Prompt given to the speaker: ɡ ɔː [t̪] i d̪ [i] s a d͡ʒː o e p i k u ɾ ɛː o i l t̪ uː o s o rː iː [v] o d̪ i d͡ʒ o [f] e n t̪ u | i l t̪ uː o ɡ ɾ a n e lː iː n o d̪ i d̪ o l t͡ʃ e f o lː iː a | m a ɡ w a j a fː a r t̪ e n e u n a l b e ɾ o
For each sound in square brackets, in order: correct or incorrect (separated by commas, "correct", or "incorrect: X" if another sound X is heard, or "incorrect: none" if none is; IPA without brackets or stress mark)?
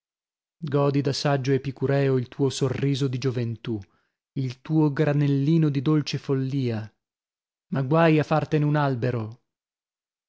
incorrect: d̪, incorrect: a, incorrect: z, incorrect: v